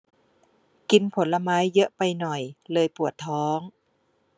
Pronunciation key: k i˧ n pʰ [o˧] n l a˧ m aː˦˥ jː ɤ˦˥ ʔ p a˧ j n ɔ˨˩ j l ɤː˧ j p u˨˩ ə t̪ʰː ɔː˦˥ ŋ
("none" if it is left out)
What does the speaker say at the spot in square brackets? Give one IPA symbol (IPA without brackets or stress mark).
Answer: o˩˦